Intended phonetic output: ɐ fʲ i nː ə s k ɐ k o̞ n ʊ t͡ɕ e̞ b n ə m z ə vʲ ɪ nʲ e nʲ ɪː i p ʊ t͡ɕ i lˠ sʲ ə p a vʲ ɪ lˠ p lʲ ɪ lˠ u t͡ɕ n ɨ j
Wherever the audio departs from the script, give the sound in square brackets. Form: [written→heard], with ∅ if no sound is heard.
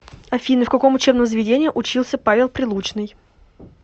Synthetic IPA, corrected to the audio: ɐ fʲ i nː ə [s→f] k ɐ k o̞ [n→m] ʊ t͡ɕ e̞ b n ə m z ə vʲ ɪ [nʲ→dʲ] e nʲ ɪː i [p→ʔ] ʊ t͡ɕ i lˠ sʲ ə p a vʲ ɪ lˠ p [lʲ→ɾʲ] ɪ lˠ u t͡ɕ n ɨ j